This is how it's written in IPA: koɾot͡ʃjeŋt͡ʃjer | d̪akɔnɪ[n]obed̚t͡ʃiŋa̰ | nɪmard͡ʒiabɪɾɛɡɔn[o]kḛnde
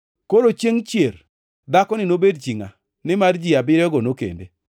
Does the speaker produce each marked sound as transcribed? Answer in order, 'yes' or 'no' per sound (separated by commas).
yes, yes